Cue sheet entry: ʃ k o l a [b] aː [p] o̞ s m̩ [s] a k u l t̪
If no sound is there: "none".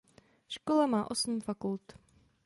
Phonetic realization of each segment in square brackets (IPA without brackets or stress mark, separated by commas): m, ʔ, f